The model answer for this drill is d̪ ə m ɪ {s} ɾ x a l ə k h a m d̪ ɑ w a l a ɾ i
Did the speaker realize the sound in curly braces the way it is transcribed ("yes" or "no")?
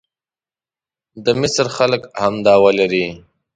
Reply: yes